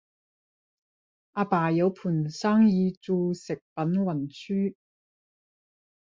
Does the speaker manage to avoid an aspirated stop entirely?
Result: no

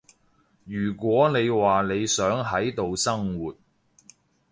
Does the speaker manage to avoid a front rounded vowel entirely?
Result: no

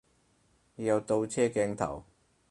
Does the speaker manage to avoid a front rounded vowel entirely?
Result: yes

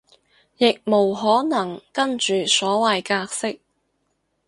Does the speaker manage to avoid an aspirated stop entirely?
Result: yes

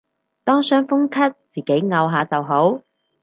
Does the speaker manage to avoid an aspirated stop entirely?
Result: no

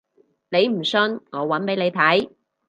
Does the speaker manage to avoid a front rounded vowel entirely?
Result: yes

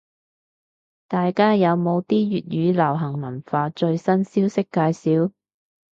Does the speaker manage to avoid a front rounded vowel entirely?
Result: no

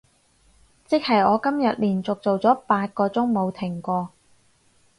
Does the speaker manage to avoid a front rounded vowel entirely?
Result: yes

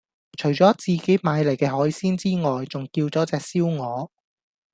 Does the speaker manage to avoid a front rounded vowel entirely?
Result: yes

